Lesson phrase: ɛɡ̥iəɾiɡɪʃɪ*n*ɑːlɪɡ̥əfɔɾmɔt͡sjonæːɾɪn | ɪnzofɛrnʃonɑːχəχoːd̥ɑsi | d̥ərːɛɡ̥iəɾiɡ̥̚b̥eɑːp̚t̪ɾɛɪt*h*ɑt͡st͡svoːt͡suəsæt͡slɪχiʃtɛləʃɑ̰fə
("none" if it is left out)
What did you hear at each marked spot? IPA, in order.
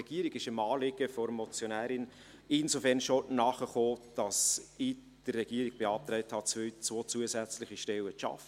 m, h

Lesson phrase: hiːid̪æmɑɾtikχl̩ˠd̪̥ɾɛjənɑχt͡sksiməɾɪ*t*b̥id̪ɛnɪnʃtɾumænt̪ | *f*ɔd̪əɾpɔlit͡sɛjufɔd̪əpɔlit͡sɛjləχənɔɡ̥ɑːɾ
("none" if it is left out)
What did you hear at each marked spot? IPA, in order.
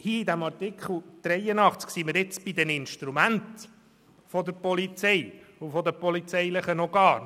t͡s, f

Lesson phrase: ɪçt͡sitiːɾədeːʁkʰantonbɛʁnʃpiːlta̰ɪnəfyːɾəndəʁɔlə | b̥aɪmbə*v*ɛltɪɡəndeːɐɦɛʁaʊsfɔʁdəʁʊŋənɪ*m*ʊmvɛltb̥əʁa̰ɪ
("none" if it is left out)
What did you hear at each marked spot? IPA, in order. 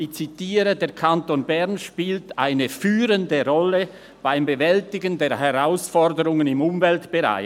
v, m

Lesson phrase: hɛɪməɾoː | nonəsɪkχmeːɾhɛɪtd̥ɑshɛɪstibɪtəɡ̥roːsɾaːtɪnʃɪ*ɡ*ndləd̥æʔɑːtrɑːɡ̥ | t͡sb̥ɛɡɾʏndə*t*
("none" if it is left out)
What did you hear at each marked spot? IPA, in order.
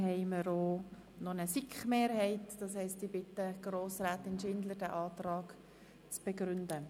none, none

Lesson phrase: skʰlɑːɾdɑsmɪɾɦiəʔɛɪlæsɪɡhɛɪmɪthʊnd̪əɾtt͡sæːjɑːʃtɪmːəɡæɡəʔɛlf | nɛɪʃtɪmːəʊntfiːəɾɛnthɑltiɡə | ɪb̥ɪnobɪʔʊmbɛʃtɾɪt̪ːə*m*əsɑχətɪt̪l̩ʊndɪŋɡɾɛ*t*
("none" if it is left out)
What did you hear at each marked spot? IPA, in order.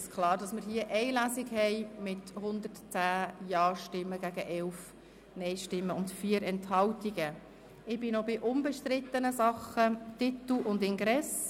n, s

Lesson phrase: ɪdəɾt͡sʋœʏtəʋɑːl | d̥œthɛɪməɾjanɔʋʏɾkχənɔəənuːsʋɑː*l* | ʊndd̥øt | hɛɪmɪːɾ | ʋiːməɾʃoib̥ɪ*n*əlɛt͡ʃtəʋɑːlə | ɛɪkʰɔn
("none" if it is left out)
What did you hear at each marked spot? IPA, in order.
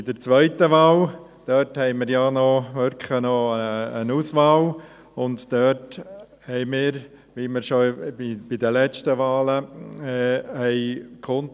l, d

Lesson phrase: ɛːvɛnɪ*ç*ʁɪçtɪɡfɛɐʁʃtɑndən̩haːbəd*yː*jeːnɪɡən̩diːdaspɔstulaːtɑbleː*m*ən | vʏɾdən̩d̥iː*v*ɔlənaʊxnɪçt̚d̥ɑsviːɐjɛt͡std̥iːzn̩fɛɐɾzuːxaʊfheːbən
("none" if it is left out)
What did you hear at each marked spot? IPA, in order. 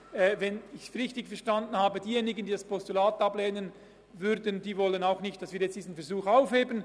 ç, iː, n, v

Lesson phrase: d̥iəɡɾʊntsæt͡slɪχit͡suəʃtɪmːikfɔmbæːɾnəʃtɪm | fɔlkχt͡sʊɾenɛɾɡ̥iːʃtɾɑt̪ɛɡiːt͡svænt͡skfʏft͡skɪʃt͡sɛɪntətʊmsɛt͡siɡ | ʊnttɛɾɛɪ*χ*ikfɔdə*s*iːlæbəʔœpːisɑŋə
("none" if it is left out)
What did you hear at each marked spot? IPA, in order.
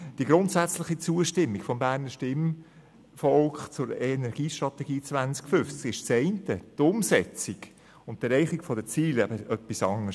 χ, t͡s

